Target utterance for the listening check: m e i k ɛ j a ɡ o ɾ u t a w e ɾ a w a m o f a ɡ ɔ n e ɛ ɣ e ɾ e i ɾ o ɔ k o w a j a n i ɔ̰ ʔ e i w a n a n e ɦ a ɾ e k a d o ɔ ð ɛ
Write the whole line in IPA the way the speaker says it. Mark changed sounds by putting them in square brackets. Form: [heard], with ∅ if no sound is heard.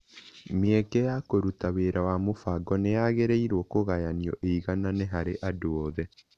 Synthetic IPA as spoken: m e [ɛ] k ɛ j a [k] o ɾ u t a w e ɾ a w a m o f a ɡ ɔ n e [a] ɣ e ɾ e i ɾ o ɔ k o [ɣ] a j a n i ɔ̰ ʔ e i [ɣ] a n a n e ɦ a ɾ e [ʔ] a d o ɔ ð ɛ